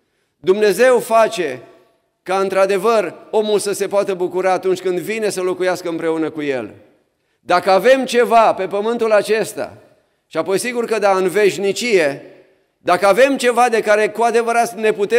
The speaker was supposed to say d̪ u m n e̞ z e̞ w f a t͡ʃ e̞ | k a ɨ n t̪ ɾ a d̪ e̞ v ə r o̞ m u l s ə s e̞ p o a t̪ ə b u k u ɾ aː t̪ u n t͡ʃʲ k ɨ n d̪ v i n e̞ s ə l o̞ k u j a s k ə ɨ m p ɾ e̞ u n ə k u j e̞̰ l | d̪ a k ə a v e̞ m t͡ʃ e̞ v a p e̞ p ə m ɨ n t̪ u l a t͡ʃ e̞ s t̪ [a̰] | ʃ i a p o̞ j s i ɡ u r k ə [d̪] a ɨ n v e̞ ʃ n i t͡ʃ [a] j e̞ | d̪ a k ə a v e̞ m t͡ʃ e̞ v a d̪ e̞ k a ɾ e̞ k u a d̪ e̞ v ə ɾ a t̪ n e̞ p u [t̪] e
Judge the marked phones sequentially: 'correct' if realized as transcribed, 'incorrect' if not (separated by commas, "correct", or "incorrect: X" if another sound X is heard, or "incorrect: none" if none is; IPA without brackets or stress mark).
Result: correct, correct, incorrect: i, correct